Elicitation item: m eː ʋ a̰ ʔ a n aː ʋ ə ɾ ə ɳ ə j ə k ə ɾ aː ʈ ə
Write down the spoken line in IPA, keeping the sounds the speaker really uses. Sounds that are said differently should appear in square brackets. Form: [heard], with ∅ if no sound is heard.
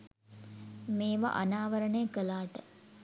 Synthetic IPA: m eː ʋ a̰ ʔ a n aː ʋ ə ɾ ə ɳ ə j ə k ə [l] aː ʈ ə